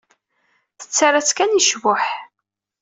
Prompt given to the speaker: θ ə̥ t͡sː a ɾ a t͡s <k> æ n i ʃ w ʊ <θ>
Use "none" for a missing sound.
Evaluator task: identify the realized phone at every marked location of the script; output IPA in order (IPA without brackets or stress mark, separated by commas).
k, ħ